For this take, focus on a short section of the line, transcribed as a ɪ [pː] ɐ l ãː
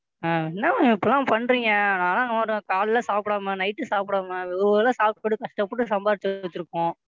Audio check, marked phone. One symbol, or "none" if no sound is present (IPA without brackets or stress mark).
pː